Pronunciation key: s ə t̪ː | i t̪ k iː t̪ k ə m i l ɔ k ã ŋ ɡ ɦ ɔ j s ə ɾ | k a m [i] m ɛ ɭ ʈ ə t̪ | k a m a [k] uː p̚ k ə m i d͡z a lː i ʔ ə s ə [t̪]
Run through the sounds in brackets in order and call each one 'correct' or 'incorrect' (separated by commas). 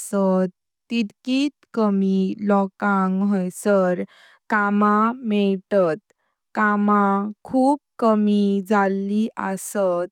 incorrect, incorrect, correct